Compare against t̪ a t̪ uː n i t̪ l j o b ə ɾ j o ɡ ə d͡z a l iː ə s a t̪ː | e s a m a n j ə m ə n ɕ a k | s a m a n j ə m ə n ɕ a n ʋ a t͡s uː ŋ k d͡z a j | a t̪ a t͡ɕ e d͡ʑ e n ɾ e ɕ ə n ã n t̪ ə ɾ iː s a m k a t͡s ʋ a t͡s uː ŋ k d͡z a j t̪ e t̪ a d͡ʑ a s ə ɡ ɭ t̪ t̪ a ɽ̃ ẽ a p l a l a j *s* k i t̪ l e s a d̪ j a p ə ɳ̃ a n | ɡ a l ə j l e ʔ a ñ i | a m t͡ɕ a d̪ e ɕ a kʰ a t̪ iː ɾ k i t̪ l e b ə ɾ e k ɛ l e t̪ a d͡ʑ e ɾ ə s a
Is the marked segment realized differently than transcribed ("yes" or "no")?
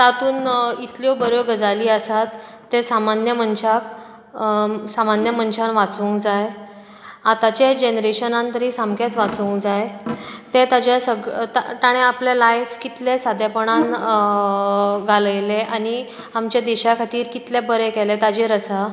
yes